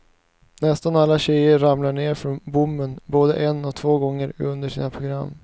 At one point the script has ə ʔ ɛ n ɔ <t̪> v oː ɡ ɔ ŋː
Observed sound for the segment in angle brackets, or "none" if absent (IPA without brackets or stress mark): t̪ʰ